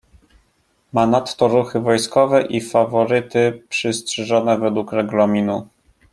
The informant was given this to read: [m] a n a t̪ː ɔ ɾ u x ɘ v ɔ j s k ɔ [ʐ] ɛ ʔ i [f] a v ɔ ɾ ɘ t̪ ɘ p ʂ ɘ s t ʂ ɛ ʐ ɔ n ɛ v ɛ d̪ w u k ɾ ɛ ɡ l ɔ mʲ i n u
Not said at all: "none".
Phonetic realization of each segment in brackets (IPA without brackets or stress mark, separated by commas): m, v, f